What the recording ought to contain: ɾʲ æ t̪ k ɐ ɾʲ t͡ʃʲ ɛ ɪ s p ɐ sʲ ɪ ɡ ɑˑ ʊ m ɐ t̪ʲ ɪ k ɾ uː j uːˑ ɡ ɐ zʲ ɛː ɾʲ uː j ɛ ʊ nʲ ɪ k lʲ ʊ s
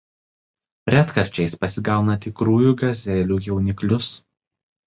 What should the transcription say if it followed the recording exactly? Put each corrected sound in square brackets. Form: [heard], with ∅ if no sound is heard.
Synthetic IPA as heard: ɾʲ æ t̪ k ɐ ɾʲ t͡ʃʲ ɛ ɪ s p ɐ sʲ ɪ ɡ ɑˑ ʊ [n] ɐ t̪ʲ ɪ k ɾ uː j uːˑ ɡ ɐ zʲ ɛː [lʲ] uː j ɛ ʊ nʲ ɪ k lʲ ʊ s